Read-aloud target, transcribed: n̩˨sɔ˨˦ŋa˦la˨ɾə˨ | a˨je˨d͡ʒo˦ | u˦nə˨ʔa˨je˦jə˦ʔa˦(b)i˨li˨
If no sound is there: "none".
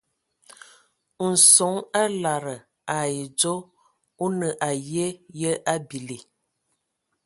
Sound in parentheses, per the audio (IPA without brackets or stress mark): b